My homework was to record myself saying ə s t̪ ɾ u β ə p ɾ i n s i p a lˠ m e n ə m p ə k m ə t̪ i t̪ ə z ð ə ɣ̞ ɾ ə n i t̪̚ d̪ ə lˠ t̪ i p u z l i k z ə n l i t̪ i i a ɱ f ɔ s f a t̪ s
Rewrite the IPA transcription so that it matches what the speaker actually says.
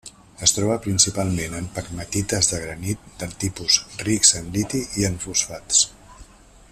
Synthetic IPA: ə s t̪ ɾ ɔ β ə p ɾ i n s i p a lˠ m e n ə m p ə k m ə t̪ i t̪ ə z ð ə ɣ̞ ɾ ə n i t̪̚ d̪ ə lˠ t̪ i p u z r i k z ə n l i t̪ i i ə ɱ f u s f a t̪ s